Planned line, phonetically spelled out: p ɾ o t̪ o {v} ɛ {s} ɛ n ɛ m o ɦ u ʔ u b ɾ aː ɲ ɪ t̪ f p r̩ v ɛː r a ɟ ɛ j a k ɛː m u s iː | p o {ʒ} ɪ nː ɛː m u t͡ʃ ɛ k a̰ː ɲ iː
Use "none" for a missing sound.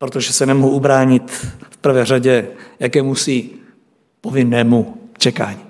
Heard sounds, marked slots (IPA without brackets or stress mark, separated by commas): ʒ, s, v